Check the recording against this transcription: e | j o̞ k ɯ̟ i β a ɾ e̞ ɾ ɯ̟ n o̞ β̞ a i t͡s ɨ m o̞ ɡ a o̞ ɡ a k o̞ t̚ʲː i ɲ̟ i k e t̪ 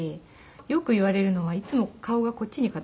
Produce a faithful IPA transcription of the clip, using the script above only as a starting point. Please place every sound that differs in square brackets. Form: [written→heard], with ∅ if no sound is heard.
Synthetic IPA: e | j o̞ k ɯ̟ i β a ɾ e̞ ɾ ɯ̟ n o̞ β̞ a i t͡s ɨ m o̞ [ɡ→k] a o̞ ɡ a k o̞ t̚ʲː i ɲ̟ i k [e→a] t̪